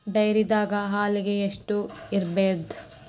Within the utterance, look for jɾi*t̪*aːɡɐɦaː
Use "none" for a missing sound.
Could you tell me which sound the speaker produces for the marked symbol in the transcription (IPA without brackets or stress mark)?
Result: d̪